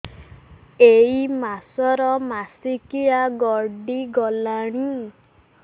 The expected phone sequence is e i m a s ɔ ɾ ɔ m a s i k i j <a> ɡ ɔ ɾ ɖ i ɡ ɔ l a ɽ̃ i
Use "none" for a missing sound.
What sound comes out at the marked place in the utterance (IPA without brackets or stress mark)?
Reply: a